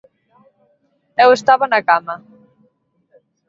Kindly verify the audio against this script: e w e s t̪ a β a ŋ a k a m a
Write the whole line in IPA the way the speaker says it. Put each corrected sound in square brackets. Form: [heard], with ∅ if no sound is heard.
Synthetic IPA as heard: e w e s t̪ a β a [n] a k a m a